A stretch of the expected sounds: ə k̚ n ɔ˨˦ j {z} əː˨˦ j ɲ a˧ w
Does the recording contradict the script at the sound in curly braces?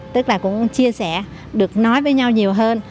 yes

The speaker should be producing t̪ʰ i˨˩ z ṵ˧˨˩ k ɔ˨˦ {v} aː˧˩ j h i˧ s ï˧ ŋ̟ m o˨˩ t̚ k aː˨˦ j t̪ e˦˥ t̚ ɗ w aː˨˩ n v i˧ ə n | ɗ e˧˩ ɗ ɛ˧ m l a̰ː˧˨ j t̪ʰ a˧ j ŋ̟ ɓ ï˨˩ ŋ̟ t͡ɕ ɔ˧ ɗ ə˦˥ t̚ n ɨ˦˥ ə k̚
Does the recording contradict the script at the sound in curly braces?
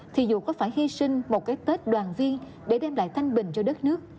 yes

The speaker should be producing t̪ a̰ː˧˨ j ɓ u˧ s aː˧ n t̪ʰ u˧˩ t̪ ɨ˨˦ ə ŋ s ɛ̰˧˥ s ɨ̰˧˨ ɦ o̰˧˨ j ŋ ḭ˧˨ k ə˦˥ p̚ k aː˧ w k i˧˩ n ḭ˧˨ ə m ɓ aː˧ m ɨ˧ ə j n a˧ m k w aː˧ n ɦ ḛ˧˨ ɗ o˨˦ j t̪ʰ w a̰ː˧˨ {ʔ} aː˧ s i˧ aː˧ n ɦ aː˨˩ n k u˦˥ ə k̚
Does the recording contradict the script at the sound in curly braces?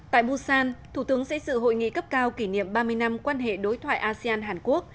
no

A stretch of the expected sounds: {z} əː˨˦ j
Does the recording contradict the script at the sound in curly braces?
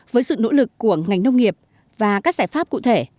yes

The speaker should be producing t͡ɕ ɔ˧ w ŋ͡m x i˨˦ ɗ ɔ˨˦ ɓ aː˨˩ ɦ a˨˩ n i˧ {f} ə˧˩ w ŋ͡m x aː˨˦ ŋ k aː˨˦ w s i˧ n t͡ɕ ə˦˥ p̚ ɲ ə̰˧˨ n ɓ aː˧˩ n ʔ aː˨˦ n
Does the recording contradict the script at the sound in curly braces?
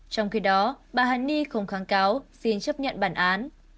yes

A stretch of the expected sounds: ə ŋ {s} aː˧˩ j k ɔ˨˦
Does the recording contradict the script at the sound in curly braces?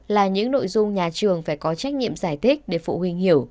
yes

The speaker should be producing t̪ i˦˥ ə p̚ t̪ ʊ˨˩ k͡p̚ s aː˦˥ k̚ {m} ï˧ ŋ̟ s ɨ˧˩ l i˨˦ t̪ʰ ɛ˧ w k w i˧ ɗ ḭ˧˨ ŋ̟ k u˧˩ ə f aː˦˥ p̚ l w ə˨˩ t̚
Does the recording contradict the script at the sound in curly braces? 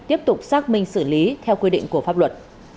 no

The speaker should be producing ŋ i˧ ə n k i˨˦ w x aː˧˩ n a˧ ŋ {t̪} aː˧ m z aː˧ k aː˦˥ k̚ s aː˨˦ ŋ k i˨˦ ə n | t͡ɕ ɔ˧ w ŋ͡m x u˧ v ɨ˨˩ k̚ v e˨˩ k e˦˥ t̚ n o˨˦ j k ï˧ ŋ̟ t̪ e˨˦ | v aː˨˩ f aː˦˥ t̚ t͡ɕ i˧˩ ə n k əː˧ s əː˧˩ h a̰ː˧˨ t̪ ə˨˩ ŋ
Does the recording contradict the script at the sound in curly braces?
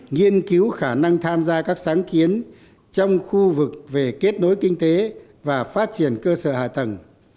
yes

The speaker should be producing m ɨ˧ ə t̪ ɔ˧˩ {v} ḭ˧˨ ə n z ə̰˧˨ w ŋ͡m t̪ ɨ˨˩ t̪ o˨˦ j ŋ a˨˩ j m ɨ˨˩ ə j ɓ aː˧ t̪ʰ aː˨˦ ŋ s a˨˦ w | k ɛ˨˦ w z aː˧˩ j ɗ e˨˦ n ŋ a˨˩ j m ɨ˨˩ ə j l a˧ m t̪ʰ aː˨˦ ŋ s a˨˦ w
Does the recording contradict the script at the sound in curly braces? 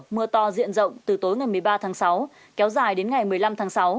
yes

